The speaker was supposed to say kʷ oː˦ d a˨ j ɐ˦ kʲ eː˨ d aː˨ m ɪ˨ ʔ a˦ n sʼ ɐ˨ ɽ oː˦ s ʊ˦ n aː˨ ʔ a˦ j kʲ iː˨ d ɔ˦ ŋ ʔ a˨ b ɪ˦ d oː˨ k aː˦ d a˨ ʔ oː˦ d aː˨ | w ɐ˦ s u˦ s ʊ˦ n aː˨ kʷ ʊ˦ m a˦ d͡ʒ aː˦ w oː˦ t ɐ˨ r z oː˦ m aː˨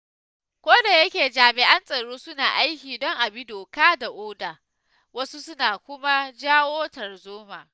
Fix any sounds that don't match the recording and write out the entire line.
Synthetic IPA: kʷ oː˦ d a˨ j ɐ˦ kʲ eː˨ d͡ʒ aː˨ m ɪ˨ ʔ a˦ n sʼ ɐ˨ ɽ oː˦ s ʊ˦ n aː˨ ʔ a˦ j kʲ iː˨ d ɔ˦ ŋ ʔ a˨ b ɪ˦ d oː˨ k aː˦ d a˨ ʔ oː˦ d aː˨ | w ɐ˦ s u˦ s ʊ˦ n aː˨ kʷ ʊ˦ m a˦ d͡ʒ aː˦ w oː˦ t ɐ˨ r z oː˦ m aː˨

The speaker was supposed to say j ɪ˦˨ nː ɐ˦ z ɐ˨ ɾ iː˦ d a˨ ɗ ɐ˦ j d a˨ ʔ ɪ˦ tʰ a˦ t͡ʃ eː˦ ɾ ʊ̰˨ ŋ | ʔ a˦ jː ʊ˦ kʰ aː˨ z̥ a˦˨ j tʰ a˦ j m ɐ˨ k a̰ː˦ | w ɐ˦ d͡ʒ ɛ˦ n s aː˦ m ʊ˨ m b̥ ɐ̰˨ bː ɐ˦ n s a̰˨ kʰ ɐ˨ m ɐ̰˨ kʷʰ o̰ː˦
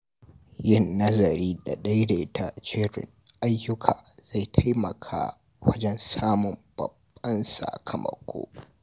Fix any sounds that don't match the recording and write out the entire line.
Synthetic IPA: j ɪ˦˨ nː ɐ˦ z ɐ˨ ɾ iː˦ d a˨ ɗ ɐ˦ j d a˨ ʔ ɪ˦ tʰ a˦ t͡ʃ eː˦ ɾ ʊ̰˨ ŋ | ʔ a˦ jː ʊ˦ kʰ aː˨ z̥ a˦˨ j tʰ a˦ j m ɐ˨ kʰ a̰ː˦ | w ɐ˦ d͡ʒ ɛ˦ n s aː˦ m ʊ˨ m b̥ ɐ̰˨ bː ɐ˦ n s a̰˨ kʰ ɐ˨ m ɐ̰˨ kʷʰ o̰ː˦

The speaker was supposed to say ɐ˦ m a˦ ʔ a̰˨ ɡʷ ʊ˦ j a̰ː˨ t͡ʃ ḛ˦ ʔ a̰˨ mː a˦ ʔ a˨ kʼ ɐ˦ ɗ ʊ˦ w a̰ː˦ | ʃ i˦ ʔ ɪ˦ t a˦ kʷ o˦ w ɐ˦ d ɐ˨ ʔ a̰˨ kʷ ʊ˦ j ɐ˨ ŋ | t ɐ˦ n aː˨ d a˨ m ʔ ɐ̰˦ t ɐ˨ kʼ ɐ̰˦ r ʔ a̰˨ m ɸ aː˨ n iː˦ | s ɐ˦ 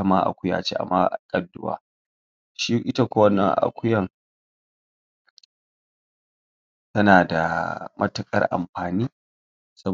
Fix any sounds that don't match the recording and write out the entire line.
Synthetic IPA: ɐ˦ m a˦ ʔ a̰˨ kʷ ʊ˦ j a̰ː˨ t͡ʃ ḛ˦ ʔ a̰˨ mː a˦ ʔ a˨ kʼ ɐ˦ d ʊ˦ w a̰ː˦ | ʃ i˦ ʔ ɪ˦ t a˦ kʷ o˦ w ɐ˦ n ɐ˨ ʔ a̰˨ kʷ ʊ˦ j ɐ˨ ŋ | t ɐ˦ n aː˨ d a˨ m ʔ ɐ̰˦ t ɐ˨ kʼ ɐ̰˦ r ʔ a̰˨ m ɸ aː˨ n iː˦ | s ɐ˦

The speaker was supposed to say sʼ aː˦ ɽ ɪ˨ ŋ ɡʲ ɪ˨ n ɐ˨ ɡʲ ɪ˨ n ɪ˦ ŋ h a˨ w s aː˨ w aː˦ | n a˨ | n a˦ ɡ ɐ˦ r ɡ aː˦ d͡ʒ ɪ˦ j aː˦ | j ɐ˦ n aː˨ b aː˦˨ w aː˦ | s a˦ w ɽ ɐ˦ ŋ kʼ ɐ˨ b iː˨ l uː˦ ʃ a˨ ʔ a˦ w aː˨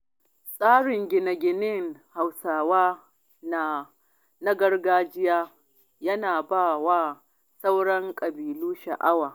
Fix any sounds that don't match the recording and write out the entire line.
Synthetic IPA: sʼ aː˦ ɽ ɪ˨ ŋ ɡʲ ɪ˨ n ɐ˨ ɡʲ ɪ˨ n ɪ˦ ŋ h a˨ w s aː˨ w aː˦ | n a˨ | n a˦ ɡ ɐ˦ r ɡ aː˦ d͡ʒ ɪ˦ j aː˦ | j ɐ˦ n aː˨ b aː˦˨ w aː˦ | s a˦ w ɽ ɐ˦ ŋ kʼ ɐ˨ b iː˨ l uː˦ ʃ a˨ ʔ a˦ w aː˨

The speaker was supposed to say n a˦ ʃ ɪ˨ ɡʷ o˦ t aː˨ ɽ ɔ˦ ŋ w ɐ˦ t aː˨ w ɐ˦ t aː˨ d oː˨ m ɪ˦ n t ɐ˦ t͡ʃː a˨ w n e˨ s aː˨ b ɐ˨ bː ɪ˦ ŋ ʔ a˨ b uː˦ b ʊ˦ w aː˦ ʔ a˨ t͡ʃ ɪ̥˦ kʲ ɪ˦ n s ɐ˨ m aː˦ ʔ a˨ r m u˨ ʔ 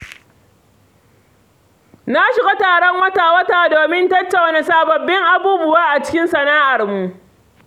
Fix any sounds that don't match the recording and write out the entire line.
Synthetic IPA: n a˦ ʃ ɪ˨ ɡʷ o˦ t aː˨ ɽ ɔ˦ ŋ w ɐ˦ t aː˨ w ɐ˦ t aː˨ d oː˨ m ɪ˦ n t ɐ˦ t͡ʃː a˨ w n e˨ s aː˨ b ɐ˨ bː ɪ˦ ŋ ʔ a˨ b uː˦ b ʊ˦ w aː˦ ʔ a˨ t͡ʃ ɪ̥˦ kʲ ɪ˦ n s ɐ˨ n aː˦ ʔ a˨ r m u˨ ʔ

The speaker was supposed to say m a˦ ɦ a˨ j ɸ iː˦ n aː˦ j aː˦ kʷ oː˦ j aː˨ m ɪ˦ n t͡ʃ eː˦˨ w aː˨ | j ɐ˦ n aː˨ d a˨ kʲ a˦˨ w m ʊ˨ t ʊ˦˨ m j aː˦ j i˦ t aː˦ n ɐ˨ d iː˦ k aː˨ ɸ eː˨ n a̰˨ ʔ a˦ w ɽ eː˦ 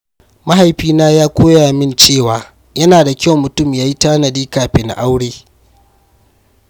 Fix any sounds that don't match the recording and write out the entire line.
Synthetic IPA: m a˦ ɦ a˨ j ɸ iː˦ n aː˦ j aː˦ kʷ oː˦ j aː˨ m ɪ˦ n t͡ʃ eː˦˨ w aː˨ | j ɐ˦ n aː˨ d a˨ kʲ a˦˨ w m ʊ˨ t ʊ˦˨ m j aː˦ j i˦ t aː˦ n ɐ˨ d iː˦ k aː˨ ɸ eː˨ n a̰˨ ʔ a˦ w ɽ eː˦

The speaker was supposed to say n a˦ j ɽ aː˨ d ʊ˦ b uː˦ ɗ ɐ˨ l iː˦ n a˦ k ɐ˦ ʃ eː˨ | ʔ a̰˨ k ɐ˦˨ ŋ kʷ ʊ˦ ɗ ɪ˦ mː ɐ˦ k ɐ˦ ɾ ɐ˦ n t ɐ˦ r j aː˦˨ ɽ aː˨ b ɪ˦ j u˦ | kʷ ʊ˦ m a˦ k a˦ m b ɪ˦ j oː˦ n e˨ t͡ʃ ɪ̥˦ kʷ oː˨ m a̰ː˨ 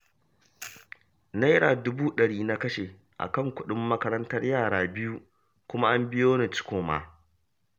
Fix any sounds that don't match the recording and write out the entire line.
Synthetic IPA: n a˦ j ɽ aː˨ d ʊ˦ b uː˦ ɗ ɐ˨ ɽ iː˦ n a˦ k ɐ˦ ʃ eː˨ | ʔ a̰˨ k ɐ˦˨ ŋ kʷ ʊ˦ ɗ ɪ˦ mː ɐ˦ k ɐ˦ ɾ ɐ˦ n t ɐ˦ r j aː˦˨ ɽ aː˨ b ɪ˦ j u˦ | kʷ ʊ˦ m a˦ ʔ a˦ m b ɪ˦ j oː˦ n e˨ t͡ʃ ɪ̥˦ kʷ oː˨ m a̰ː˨

